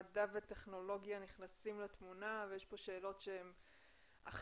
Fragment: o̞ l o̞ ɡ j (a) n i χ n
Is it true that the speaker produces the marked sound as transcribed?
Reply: yes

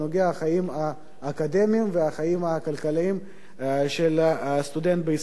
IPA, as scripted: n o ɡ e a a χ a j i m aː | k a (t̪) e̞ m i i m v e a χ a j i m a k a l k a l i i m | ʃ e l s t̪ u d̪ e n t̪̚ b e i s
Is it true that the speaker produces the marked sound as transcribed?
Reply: no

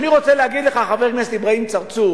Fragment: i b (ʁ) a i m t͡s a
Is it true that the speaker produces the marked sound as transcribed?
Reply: yes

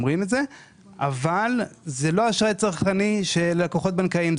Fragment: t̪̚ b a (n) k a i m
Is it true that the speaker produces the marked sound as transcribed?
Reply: yes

